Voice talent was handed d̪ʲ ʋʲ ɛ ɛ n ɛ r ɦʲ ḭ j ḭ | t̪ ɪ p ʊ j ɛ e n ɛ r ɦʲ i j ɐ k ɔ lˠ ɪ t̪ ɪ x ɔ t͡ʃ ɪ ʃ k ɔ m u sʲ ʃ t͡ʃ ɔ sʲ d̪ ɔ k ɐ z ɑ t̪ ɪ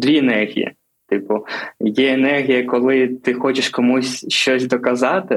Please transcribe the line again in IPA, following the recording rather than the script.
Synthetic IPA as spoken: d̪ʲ ʋʲ i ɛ n ɛ r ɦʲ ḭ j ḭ | t̪ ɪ p ʊ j ɛ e n ɛ r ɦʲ i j ɐ k ɔ lˠ ɪ t̪ ɪ x ɔ t͡ʃ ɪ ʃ k ɔ m u sʲ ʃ t͡ʃ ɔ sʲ d̪ ɔ k ɐ z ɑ t̪ ɪ